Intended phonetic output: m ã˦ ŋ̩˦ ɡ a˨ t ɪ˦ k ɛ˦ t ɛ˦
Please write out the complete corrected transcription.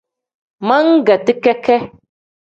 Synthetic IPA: m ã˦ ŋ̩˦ ɡ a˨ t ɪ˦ k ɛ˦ k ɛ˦